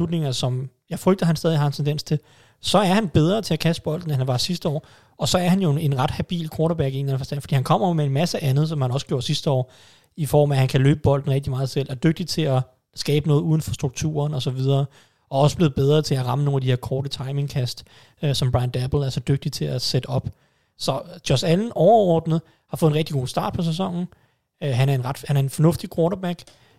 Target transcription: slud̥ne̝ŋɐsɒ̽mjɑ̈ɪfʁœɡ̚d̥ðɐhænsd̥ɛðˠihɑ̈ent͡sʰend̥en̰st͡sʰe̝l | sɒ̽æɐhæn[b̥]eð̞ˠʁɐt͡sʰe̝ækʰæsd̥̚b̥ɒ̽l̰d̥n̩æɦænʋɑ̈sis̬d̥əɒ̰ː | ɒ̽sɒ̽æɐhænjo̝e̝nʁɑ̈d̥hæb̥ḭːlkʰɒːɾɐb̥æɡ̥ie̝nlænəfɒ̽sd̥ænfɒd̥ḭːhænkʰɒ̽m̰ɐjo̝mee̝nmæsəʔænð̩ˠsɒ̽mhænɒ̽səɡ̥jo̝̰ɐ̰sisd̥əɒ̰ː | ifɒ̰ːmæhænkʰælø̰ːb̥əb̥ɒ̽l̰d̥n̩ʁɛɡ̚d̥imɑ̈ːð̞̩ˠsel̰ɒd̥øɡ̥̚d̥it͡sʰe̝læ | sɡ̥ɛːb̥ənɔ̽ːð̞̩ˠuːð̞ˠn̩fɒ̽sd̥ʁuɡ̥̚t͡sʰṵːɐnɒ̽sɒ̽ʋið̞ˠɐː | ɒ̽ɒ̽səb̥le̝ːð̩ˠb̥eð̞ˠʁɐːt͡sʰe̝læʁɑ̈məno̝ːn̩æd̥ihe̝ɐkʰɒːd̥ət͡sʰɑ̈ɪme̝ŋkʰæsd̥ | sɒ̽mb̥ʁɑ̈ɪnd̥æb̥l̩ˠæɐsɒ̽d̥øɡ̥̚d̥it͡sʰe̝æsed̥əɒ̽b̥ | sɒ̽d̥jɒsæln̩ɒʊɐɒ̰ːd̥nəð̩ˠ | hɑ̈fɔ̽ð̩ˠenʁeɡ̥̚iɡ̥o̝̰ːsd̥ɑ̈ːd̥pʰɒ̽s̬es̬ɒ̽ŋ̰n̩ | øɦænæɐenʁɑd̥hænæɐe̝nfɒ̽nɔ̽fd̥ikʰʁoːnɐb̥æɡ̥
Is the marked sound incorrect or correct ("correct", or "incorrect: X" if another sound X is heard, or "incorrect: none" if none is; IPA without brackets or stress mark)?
correct